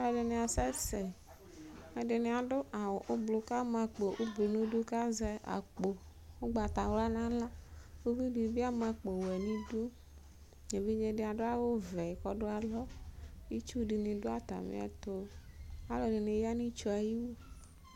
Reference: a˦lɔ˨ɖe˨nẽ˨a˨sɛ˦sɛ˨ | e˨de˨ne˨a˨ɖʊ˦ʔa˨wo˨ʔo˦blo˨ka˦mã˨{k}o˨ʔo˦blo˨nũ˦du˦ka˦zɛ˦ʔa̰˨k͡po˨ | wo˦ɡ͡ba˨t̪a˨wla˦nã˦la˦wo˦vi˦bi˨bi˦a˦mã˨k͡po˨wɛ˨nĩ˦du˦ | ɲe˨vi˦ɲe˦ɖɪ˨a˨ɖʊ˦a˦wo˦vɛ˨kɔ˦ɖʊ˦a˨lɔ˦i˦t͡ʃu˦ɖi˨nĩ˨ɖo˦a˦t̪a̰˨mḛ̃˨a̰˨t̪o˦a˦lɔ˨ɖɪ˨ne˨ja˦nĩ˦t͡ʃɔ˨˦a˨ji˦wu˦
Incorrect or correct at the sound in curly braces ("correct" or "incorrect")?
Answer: incorrect